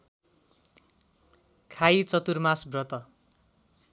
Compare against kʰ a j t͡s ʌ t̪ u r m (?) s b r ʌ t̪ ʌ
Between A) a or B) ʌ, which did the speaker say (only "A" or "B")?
A